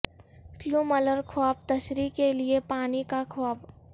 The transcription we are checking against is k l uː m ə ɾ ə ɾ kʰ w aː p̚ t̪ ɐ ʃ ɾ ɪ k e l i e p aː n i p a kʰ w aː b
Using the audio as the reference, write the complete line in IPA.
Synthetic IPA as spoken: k l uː m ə l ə ɾ kʰ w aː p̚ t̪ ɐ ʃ ɾ i k e l i e p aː n i k a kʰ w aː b